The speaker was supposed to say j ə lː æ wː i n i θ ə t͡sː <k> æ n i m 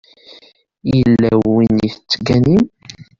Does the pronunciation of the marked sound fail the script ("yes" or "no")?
yes